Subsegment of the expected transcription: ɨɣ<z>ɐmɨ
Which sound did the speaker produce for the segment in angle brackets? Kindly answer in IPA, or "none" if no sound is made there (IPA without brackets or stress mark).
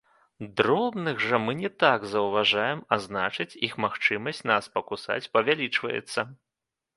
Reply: ʐ